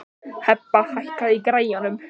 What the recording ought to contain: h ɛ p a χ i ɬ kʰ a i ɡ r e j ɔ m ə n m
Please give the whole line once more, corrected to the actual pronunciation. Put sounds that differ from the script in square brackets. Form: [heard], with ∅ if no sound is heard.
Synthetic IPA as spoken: h ɛ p a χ [a] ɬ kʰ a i ɡ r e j ɔ [n] ə [∅] m